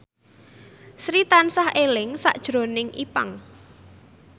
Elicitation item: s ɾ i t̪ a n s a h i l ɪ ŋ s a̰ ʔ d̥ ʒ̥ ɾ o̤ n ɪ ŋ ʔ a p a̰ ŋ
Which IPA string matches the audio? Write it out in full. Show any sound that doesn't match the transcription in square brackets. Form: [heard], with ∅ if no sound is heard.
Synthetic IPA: s ɾ i t̪ a n s a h [e] l ɪ ŋ s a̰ ʔ d̥ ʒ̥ ɾ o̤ n ɪ ŋ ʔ [i] p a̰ ŋ